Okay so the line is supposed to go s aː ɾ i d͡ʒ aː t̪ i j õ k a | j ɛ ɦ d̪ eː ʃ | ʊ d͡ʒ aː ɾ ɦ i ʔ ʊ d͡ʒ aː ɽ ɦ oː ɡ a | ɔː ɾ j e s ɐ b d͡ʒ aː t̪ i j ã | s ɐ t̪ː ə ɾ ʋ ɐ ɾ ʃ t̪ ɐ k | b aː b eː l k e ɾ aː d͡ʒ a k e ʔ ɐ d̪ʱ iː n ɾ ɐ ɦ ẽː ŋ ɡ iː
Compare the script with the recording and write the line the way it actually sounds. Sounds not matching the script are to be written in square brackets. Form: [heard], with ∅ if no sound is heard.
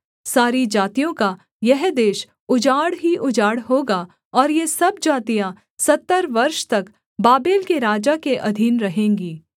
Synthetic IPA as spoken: s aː ɾ i d͡ʒ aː t̪ i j õ k a | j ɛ ɦ d̪ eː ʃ | ʊ d͡ʒ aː [ɽ] ɦ i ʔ ʊ d͡ʒ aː ɽ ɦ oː ɡ a | ɔː ɾ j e s ɐ b d͡ʒ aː t̪ i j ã | s ɐ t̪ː ə ɾ ʋ ɐ ɾ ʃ t̪ ɐ k | b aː b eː l k e ɾ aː d͡ʒ a k e ʔ ɐ d̪ʱ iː n ɾ ɐ ɦ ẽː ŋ ɡ iː